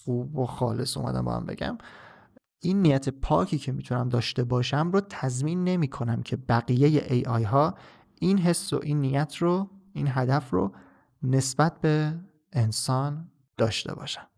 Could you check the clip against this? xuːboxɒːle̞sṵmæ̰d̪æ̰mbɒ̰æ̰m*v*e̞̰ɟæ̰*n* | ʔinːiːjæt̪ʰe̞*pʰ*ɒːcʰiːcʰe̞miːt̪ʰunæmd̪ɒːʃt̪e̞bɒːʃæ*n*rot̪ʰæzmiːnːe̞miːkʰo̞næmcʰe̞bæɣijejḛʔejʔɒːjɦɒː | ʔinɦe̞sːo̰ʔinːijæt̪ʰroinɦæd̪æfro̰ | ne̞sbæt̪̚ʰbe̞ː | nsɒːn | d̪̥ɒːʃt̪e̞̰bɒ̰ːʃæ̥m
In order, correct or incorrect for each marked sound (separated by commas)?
incorrect, incorrect, correct, incorrect